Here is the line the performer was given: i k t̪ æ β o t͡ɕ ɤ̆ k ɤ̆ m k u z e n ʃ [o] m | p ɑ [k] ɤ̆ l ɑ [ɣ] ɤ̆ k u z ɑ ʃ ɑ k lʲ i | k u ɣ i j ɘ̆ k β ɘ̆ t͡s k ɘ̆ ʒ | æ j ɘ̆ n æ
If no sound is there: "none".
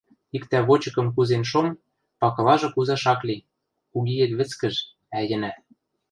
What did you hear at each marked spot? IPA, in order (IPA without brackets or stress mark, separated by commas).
o, k, ʒ